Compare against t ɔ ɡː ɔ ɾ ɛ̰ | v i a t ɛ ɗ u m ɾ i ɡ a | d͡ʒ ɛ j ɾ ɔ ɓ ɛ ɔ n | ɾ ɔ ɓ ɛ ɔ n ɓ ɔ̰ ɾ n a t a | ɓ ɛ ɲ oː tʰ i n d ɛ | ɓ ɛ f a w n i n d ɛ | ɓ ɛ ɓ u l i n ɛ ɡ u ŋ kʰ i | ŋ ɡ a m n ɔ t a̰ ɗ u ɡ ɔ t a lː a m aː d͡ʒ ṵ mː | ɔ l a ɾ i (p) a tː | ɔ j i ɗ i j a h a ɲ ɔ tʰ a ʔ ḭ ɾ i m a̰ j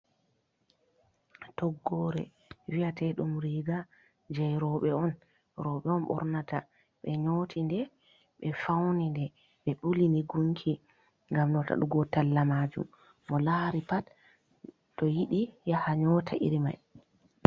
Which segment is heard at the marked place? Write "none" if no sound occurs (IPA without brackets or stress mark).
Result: p